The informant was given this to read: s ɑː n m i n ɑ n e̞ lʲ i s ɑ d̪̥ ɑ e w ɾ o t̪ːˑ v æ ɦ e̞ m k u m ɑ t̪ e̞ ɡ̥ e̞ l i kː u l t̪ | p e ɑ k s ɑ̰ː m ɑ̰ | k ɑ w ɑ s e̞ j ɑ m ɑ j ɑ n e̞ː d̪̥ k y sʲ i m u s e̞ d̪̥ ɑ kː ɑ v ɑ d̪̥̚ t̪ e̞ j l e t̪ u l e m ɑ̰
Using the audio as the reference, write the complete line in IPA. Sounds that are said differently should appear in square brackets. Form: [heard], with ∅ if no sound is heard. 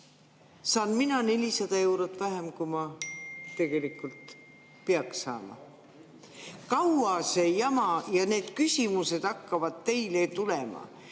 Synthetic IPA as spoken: s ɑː n m i n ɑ n e̞ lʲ i s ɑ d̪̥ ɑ e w ɾ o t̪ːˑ v æ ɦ e̞ m k u m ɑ t̪ e̞ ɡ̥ e̞ l i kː u l t̪ | p e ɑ k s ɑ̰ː m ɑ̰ | k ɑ w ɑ s e̞ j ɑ m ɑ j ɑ n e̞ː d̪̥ k y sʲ i m u s e̞ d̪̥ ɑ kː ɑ v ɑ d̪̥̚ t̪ e̞ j l e t̪ u l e m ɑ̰

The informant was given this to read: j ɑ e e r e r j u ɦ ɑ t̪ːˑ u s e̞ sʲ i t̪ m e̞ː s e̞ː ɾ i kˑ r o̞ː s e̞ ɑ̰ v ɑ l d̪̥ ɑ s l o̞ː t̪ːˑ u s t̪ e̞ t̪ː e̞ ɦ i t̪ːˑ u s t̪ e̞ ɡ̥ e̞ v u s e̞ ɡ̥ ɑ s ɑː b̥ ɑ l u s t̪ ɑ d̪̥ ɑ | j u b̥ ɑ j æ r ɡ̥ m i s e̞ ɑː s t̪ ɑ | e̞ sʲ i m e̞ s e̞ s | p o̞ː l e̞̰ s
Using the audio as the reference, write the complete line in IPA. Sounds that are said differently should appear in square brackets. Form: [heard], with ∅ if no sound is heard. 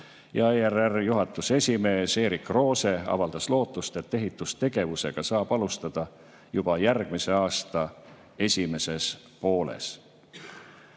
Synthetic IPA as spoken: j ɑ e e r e r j u ɦ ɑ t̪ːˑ u s e̞ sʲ i [∅] m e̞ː s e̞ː ɾ i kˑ r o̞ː s e̞ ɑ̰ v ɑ l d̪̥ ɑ s l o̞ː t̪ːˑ u s t̪ e̞ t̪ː e̞ ɦ i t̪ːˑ u s t̪ e̞ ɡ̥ e̞ v u s e̞ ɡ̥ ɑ s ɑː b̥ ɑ l u s t̪ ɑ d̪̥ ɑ | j u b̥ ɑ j æ r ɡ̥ m i s e̞ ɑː s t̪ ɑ | e̞ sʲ i m e̞ s e̞ s | p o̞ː l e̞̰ s

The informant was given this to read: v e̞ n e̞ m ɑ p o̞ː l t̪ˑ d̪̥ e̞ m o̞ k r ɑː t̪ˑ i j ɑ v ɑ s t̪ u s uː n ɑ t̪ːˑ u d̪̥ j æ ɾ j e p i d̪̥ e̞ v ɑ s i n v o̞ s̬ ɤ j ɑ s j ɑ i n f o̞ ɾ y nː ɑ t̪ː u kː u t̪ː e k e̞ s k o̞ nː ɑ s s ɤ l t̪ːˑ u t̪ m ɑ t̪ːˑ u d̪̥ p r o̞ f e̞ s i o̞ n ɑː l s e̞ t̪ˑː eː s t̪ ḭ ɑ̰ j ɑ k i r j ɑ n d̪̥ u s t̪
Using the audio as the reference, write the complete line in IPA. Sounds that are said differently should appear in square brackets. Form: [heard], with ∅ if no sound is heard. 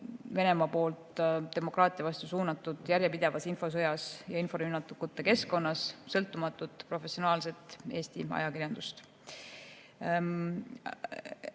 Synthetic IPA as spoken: v e̞ n e̞ m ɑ p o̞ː l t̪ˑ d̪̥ e̞ m o̞ k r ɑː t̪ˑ i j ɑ v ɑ s t̪ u s uː n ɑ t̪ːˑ u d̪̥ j æ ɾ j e p i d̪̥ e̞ v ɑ s i n [f] o̞ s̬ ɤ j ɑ s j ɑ i n f o̞ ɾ y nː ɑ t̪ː u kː u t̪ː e k e̞ s k o̞ nː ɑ s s ɤ l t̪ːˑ u [∅] m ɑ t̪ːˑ u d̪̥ p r o̞ f e̞ s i o̞ n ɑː l s e̞ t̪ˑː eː s t̪ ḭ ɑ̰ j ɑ k i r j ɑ n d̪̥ u s t̪

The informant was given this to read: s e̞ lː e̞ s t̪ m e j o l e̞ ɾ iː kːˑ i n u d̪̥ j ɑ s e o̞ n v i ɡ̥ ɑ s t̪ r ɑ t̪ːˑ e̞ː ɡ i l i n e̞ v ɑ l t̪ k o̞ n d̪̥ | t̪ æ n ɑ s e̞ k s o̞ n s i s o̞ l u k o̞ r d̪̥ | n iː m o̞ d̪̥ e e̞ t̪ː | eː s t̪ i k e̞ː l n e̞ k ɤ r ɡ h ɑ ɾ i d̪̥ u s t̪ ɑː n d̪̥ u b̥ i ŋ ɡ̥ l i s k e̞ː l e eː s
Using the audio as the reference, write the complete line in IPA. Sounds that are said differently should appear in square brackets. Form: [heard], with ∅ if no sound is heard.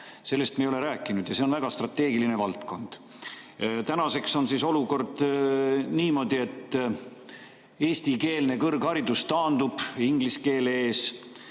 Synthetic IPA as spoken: s e̞ lː e̞ s t̪ m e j o l e̞ ɾ [æː] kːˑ i n u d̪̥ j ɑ s e o̞ n v [æ] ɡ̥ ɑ s t̪ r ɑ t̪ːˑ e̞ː ɡ i l i n e̞ v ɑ l t̪ k o̞ n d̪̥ | t̪ æ n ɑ s e̞ k s o̞ n s i s o̞ l u k o̞ r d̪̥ | n iː m o̞ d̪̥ [i] e̞ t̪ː | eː s t̪ i k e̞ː l n e̞ k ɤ r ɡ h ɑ ɾ i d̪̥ u s t̪ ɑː n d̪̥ u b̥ i ŋ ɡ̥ l i s k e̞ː l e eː s

